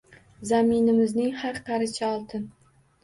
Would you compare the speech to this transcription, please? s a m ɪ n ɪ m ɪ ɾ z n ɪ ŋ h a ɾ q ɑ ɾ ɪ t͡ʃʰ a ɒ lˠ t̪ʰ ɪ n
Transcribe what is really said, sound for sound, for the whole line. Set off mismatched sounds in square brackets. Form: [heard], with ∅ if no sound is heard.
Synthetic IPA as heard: [z] a m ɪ n ɪ m ɪ [∅] z n ɪ ŋ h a ɾ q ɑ ɾ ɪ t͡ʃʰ a ɒ lˠ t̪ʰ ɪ n